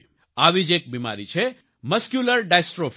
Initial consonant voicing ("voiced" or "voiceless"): voiced